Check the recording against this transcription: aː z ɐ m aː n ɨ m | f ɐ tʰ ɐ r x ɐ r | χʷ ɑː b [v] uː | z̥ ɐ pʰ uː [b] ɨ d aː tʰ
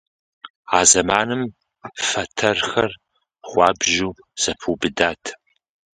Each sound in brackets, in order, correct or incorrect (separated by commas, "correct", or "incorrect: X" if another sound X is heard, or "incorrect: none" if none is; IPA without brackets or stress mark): incorrect: ʒ, correct